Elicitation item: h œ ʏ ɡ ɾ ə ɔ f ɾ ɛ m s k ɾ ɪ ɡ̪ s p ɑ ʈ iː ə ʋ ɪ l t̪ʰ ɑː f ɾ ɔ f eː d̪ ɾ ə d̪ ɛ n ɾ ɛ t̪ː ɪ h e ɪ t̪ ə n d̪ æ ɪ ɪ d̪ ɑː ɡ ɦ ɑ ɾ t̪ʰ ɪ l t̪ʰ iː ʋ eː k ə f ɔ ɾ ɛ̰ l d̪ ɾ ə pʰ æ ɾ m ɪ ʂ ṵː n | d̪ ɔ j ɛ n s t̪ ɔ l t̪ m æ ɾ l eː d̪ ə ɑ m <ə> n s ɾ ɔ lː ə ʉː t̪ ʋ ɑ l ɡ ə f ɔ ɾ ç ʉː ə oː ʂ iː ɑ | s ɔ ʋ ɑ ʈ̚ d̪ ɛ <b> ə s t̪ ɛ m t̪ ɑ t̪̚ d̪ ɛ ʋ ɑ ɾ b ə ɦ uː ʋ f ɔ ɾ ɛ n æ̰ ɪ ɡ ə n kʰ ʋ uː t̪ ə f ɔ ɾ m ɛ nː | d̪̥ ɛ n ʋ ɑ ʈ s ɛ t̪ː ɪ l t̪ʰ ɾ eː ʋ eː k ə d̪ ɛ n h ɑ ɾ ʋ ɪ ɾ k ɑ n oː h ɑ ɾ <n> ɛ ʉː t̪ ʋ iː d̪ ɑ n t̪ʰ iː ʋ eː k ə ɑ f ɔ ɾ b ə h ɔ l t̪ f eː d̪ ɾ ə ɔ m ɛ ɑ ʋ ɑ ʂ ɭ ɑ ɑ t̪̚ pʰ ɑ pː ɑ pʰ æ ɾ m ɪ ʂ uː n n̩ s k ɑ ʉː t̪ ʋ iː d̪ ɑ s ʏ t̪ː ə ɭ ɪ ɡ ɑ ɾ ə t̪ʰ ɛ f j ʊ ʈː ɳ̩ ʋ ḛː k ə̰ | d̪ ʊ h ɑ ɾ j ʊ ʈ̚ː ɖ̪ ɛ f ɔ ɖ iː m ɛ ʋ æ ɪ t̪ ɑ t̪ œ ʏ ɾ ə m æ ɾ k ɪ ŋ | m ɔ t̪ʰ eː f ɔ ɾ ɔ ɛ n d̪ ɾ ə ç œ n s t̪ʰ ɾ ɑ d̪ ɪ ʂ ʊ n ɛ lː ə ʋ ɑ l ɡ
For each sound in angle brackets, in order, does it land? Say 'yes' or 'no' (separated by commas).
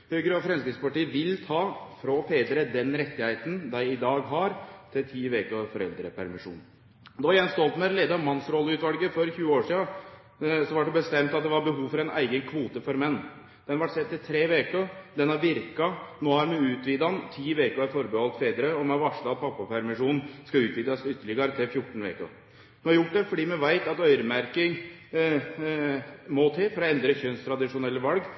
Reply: no, yes, no